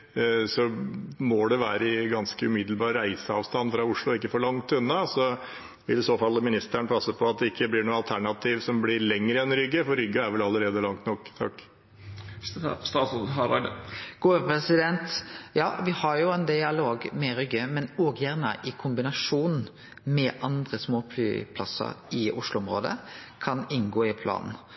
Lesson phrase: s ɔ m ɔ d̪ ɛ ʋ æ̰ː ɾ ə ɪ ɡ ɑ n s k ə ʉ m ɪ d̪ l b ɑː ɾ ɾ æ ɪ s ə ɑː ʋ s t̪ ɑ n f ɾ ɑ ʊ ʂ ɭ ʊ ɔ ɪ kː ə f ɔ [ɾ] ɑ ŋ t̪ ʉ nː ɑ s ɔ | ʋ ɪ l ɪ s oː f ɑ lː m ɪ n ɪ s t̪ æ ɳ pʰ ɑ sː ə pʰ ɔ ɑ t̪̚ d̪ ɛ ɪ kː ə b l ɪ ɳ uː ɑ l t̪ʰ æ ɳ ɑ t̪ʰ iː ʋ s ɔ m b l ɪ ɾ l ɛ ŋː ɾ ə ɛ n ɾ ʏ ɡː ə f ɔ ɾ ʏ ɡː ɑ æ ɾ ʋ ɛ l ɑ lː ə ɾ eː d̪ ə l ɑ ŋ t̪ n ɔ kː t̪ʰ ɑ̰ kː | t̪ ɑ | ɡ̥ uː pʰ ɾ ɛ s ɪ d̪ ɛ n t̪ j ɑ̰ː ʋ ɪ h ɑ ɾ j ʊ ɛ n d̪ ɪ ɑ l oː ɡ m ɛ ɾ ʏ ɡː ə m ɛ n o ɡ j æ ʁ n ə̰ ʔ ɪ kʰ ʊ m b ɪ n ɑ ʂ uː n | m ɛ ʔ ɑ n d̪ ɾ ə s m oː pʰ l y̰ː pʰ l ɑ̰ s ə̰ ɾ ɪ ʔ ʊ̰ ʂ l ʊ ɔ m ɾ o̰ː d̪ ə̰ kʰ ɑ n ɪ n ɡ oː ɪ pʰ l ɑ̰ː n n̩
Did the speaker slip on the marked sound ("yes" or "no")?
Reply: yes